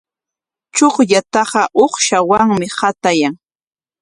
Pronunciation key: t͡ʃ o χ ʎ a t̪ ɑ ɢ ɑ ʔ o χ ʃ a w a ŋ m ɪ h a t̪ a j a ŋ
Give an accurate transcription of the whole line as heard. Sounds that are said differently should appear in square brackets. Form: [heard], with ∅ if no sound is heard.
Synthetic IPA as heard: t͡ʃ o χ ʎ a t̪ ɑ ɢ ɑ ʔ o χ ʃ a w a ŋ m ɪ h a t̪ a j a ŋ